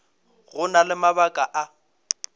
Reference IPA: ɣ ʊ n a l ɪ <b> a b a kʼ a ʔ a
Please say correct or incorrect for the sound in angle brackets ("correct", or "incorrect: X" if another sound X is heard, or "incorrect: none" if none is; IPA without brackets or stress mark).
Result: incorrect: m